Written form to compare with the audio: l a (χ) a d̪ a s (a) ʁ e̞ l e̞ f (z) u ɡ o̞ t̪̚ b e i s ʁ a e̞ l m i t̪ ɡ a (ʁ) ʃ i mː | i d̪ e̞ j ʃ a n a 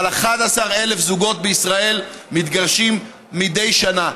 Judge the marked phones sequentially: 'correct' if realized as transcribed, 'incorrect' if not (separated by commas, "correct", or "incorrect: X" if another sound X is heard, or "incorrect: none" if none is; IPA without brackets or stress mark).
correct, correct, correct, correct